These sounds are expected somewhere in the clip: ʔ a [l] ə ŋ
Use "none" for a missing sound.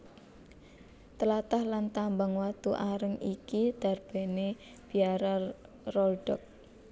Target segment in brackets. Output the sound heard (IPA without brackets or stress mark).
ɾ